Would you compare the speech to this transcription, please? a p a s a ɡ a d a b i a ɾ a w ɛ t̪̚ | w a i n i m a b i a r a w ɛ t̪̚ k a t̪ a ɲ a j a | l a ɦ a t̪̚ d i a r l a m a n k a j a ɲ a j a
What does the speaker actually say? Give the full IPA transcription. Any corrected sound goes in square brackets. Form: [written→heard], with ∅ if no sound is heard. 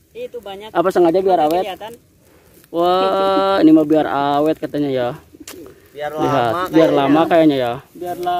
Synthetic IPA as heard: a p a s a [ɡ→ŋ] a [d→d͡ʒ] a b i a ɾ a w ɛ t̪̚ | w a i n i m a b i a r a w ɛ t̪̚ k a t̪ a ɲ a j a | l [a→i] ɦ a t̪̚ [d→b] i a r l a m a [n→∅] k a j a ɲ a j a

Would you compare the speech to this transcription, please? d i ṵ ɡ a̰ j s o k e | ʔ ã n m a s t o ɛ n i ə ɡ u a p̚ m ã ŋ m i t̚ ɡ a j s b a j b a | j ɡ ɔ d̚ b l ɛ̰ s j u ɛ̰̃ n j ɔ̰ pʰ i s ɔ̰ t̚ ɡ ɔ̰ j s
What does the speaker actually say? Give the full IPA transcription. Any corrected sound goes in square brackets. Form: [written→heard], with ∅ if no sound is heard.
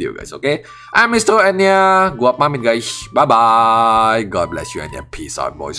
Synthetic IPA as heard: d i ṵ ɡ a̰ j s o k e | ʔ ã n m [a→i] s t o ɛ n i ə ɡ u a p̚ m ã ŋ m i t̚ ɡ a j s b a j b a | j ɡ ɔ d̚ b l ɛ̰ s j u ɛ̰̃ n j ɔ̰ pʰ i s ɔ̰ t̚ [ɡ→b] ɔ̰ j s

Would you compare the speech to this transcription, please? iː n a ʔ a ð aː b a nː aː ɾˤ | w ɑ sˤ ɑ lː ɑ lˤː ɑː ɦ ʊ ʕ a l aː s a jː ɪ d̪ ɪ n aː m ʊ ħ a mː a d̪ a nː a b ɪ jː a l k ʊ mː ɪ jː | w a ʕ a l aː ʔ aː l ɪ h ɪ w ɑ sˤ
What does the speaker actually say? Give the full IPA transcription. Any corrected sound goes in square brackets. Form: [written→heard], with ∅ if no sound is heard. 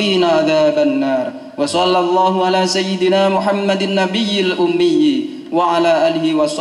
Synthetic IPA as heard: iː n a ʔ a ð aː b a nː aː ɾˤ | w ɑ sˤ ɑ lː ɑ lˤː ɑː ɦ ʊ ʕ a l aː s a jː ɪ d̪ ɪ n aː m ʊ ħ a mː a d̪ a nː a b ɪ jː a l [k→ʔ] ʊ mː ɪ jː | w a ʕ a l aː ʔ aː l ɪ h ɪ w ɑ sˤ

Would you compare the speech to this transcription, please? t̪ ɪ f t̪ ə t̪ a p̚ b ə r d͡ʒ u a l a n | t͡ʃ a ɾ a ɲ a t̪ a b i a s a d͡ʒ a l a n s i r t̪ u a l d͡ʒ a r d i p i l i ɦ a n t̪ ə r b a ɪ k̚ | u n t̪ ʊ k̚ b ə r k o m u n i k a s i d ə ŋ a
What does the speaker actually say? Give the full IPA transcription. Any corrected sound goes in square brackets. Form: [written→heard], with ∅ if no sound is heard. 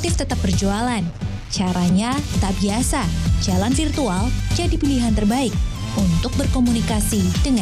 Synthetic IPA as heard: t̪ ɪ f t̪ ə t̪ a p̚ b ə r d͡ʒ u a l a n | t͡ʃ a ɾ a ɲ a t̪ a b i a s a d͡ʒ a l a n [s→f] i r t̪ u a l d͡ʒ a [r→∅] d i p i l i ɦ a n t̪ ə r b a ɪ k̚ | u n t̪ ʊ k̚ b ə r k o m u n i k a s i d ə ŋ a

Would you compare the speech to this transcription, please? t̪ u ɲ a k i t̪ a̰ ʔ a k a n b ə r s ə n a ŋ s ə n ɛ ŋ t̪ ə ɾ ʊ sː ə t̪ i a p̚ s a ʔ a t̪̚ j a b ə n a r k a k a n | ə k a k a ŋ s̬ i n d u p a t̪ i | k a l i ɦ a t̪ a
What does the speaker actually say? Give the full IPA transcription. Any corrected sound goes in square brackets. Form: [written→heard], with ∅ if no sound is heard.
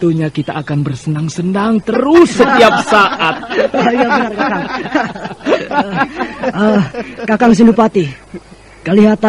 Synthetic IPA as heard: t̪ u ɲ a k i t̪ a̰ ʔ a k a n b ə r s ə n a ŋ s ə n [ɛ→a] ŋ t̪ ə ɾ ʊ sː ə t̪ i a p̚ s a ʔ a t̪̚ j a b ə n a r k a k a [n→ŋ] | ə k a k a ŋ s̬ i n d u p a t̪ i | k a l i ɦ a t̪ a

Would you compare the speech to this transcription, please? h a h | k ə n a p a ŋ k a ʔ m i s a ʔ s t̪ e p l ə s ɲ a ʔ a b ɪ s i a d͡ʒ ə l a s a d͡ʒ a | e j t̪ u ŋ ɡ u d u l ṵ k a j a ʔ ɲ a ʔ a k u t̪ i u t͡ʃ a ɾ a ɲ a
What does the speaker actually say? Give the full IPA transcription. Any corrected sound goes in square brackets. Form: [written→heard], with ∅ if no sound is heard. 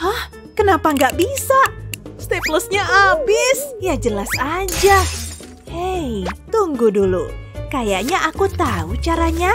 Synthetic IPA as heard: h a h | k ə n a p a ŋ [k→ɡ] a ʔ [m→b] i s a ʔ s t̪ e p l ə s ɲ a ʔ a b ɪ s [i→j] a d͡ʒ ə l a s a d͡ʒ a | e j t̪ u ŋ ɡ u d u l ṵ k a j a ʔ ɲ a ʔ a k u t̪ [i→a] u t͡ʃ a ɾ a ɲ a

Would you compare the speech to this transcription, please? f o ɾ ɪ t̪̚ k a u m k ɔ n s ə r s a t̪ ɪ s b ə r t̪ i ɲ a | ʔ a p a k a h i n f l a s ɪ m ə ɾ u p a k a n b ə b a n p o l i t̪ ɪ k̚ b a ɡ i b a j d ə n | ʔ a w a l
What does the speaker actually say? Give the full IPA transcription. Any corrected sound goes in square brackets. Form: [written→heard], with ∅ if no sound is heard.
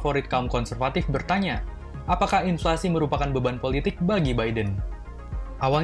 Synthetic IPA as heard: f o ɾ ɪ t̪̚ k a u m k ɔ n s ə r [s→f] a t̪ ɪ [s→f] b ə r t̪ [i→a] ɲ a | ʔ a p a k a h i n f l a s [ɪ→i] m ə ɾ u p a k a n b ə b a n p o l i t̪ ɪ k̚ b a ɡ i b a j d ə n | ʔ a w a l

